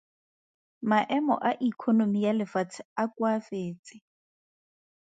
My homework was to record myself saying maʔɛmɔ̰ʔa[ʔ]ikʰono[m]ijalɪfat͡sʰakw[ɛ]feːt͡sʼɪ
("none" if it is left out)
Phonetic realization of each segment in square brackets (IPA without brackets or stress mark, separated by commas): ʔ, m, a